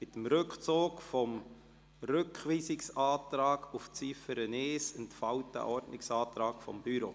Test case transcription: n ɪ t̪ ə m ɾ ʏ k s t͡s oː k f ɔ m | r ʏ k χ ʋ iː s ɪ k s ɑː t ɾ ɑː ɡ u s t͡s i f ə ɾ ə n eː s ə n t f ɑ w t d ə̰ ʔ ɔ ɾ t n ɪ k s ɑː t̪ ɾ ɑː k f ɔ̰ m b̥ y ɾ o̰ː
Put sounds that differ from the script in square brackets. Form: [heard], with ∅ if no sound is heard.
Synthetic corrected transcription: [m] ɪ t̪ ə m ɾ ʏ k [χ] t͡s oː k f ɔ m | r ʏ k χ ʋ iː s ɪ k s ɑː t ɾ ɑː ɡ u [f] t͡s i f ə ɾ ə n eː s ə n t f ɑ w t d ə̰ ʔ ɔ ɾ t n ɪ k s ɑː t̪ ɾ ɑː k f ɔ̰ m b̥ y ɾ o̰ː

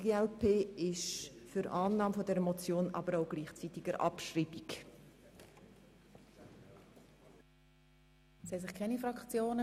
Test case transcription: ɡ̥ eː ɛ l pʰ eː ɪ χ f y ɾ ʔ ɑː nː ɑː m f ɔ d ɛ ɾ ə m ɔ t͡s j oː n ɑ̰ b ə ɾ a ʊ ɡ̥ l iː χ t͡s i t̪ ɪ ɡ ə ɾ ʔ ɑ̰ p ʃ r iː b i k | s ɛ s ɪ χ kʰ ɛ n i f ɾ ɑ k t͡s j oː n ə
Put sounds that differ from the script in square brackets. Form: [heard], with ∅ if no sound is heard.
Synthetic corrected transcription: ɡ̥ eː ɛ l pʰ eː ɪ [ʃ] f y ɾ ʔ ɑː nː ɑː m f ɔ d ɛ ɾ ə m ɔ t͡s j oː n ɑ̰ b ə ɾ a ʊ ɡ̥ l iː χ t͡s i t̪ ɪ ɡ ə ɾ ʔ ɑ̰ p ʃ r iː b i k | s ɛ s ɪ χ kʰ ɛ n i f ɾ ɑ k t͡s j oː n ə

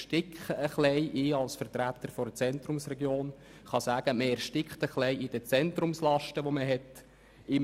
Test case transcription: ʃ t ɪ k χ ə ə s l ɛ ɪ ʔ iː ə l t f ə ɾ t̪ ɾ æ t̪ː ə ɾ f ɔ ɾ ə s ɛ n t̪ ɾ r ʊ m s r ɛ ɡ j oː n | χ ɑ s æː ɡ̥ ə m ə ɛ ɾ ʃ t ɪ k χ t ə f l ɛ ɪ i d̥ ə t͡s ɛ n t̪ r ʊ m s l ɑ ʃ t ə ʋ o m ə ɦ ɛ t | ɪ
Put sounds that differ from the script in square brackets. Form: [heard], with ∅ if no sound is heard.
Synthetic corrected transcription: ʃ t ɪ k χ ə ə [χ] l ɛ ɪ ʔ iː [ɑ] l [s] f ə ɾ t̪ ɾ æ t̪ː ə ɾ f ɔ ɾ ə [t͡s] ɛ n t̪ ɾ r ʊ m s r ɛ ɡ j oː n | χ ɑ s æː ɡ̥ ə m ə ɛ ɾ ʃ t ɪ k χ t ə [χ] l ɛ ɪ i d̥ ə t͡s ɛ n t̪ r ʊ m s l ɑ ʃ t ə ʋ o m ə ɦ ɛ t | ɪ

